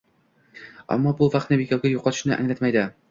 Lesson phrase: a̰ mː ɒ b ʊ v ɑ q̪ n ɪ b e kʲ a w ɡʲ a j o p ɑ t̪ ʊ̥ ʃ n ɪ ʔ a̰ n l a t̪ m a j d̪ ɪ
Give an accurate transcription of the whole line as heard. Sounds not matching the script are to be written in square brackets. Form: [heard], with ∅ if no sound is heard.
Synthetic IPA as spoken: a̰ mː ɒ b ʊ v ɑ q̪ n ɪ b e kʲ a w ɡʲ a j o [q] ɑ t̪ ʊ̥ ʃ n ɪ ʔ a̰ [ŋ] l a t̪ m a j d̪ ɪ